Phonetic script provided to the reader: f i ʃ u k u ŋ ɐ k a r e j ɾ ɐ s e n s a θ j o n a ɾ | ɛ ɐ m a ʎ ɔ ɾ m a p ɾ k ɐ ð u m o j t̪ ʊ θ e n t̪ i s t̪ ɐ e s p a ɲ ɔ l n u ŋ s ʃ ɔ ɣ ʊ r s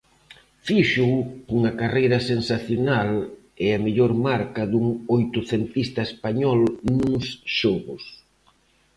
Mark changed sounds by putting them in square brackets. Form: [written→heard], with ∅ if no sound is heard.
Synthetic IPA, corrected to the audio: f i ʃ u k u ŋ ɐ k a r e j ɾ ɐ s e n s a θ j o n a [ɾ→l] | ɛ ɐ m [a→e] ʎ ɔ ɾ m a [p→∅] ɾ k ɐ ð u [m→ŋ] o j t̪ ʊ θ e n t̪ i s t̪ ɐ e s p a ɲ ɔ l n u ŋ s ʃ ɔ ɣ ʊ [r→∅] s